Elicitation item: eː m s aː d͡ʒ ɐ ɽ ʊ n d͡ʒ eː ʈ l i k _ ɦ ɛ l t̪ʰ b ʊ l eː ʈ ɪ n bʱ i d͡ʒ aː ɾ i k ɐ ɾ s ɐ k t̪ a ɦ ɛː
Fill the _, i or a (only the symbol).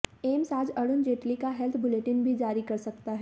a